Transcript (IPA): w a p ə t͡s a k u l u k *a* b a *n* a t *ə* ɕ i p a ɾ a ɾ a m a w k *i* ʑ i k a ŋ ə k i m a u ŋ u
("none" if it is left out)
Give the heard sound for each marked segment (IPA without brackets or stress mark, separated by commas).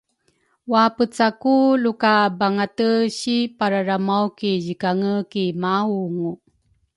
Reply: a, ŋ, ə, i